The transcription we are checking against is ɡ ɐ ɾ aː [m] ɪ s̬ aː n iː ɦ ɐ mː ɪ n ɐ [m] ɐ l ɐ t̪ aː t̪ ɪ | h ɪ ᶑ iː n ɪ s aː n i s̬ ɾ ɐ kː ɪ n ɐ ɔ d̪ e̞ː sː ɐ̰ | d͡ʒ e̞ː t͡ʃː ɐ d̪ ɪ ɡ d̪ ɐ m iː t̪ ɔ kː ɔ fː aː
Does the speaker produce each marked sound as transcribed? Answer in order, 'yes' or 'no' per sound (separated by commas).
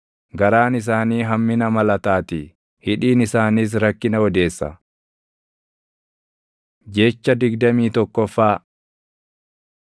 no, yes